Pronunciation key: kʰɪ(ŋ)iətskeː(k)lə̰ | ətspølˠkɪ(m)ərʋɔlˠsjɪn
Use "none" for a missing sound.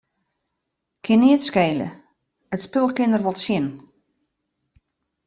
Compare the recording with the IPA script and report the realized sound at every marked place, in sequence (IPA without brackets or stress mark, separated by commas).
n, none, n